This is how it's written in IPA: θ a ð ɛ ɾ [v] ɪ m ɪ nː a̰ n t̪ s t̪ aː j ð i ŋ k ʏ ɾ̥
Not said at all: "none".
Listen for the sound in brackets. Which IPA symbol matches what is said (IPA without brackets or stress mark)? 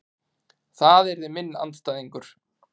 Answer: ð